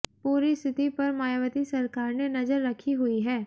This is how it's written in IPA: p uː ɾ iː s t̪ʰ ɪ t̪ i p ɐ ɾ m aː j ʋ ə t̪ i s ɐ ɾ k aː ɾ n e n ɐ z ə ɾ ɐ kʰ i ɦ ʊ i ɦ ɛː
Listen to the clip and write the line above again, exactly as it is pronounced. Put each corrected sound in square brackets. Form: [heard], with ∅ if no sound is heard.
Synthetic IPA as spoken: p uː ɾ [i] s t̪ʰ ɪ t̪ i p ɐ ɾ m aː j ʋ ə t̪ i s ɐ ɾ k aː ɾ n e n ɐ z ə [ɾː] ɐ kʰ i ɦ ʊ i ɦ ɛː